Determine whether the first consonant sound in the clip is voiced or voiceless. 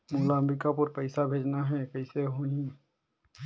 voiced